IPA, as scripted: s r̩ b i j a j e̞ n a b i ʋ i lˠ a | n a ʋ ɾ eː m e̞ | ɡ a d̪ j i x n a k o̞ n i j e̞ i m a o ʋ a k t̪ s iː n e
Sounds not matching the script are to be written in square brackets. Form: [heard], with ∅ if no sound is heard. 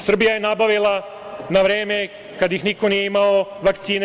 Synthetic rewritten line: s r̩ b i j a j e̞ n a b [a] ʋ i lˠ a | n a ʋ ɾ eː m e̞ | [k] a d̪ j i x n [i] k o̞ n i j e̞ i m a o ʋ a k t̪ s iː n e